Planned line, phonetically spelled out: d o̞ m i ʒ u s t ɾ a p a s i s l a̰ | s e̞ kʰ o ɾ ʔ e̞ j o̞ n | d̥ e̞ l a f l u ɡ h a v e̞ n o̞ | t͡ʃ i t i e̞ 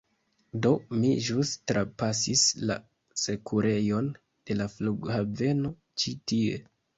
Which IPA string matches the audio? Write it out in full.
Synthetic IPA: d o̞ m i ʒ u s t ɾ a p a s i s l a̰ | s e̞ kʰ u ɾ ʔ e̞ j o̞ n | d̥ e̞ l a f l u ɡ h a v e̞ n o̞ | t͡ʃ i t i e̞